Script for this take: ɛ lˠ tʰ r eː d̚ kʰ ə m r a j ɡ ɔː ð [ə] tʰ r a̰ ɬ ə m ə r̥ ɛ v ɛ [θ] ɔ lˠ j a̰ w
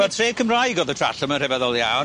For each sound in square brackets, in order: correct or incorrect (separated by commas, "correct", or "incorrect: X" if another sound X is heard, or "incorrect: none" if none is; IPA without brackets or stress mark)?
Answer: correct, incorrect: ð